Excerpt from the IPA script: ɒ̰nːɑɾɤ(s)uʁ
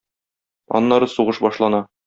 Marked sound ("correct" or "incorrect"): correct